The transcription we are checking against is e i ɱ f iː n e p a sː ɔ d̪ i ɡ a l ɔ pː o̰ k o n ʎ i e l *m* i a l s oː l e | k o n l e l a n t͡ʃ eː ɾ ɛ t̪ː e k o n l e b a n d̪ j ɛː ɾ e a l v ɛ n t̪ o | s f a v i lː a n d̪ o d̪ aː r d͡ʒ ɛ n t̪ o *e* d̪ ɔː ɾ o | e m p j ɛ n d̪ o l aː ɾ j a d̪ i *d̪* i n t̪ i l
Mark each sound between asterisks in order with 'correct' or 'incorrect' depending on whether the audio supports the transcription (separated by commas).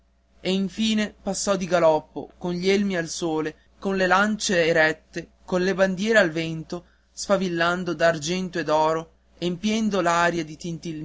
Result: correct, correct, incorrect